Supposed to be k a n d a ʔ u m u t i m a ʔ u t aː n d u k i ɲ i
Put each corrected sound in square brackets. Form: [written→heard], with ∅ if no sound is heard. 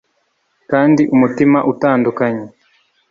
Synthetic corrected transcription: k a n d [a→i] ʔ u m u t i m a ʔ u t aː n d u k [i→a] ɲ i